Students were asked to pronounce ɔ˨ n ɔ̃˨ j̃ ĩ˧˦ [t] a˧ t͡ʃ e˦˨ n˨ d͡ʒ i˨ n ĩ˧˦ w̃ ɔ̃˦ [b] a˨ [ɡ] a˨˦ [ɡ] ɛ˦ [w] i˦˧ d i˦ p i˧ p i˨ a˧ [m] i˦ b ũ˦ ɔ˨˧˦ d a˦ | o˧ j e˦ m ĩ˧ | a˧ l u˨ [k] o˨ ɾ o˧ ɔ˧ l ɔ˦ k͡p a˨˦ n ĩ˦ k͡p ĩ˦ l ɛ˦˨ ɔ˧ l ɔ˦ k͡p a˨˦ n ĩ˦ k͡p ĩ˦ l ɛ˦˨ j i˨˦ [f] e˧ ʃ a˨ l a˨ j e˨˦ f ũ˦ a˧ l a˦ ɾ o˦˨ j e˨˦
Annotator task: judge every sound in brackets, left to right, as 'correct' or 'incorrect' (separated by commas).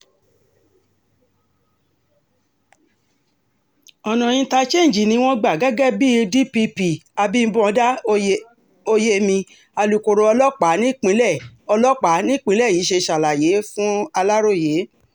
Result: correct, incorrect, correct, correct, incorrect, incorrect, correct, incorrect